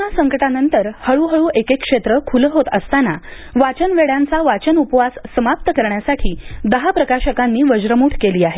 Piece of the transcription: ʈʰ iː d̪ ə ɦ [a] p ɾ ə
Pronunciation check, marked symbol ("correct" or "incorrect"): correct